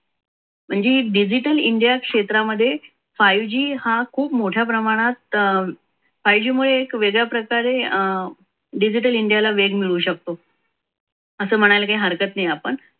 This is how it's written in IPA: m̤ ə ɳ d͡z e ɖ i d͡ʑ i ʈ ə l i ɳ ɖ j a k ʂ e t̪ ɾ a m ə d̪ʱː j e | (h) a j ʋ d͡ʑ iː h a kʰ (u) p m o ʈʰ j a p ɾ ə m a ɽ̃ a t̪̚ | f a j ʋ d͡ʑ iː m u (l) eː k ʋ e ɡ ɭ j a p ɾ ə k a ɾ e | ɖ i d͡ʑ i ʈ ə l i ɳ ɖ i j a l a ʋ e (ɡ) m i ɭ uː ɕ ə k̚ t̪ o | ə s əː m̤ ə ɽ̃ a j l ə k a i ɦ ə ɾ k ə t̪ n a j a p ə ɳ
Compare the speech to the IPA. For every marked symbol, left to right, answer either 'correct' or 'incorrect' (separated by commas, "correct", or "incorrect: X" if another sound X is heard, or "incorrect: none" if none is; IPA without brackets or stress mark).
incorrect: f, incorrect: uː, incorrect: ɭ, correct